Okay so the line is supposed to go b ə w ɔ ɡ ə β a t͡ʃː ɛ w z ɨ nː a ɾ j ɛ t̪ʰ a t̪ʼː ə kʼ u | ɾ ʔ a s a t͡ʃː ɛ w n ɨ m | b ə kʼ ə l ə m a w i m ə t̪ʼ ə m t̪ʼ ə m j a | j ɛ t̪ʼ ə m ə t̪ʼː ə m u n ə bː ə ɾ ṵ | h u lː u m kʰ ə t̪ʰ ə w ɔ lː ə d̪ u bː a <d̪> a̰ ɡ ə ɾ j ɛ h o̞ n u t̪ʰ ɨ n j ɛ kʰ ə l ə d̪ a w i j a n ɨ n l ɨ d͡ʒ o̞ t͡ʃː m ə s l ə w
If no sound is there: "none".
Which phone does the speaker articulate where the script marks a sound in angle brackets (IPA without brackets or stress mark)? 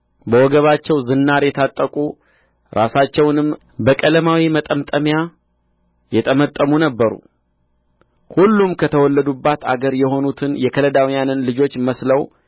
t̪